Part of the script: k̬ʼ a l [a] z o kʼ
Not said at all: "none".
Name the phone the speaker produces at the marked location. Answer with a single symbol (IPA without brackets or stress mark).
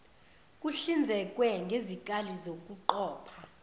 i